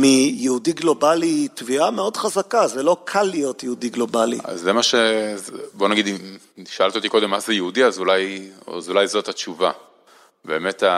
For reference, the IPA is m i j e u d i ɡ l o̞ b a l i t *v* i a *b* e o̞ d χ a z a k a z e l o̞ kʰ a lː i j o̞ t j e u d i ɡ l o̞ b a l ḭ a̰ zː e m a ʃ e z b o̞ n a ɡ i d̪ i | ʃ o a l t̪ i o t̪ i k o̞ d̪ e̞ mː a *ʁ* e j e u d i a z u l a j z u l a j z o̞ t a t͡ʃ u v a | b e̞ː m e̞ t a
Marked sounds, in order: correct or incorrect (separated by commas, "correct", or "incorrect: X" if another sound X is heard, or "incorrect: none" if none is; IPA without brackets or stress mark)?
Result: correct, incorrect: m, incorrect: z